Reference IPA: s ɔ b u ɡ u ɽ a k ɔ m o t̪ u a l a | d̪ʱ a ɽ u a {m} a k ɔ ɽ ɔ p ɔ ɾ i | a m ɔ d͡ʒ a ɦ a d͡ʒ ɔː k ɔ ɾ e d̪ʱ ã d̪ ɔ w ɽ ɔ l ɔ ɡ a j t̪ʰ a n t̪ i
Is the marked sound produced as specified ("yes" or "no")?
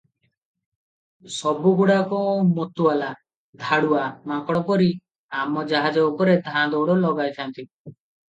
yes